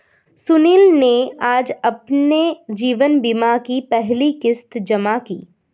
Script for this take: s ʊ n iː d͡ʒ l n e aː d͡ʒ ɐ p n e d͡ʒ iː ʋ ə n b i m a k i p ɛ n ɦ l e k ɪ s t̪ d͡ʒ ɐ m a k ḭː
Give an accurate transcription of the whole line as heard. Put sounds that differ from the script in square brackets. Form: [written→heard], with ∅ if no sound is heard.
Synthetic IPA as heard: s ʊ n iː [d͡ʒ→∅] l n e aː d͡ʒ ɐ p n e d͡ʒ iː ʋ ə n b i m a k i p ɛ [n→∅] ɦ l [e→i] k ɪ s t̪ d͡ʒ ɐ m a k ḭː